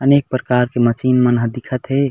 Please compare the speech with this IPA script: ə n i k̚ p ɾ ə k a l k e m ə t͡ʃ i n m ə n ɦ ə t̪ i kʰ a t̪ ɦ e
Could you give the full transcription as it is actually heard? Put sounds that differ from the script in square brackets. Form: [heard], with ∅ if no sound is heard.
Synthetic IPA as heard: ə n [e] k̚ p ɾ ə k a [ɾ] k e m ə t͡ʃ i n m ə n ɦ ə [d̪] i kʰ [ə] t̪ ɦ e